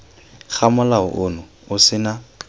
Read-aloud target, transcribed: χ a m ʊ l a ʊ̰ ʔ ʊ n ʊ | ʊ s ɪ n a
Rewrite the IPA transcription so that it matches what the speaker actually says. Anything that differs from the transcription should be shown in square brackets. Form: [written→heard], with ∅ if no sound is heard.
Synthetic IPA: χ a m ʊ l a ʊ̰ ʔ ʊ n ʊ | ʊ s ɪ n a